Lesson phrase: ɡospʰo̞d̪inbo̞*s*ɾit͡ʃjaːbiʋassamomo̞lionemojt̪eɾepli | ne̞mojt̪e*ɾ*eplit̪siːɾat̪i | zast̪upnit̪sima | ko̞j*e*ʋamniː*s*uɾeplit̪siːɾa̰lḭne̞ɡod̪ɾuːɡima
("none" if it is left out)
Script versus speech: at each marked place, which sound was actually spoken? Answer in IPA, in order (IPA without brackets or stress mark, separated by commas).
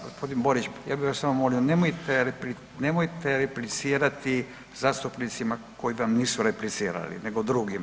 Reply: none, ɾ, i, s